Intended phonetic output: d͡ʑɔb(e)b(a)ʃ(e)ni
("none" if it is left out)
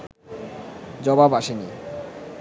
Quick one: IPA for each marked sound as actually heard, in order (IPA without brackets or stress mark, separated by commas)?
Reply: a, a, e